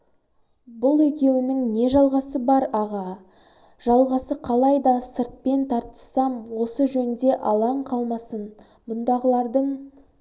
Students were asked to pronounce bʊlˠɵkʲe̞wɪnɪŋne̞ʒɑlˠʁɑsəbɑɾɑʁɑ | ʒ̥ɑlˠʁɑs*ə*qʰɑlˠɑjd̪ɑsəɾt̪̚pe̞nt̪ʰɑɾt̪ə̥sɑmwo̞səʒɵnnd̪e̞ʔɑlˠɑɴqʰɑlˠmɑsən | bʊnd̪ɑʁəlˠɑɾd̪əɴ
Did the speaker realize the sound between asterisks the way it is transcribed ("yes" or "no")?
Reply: yes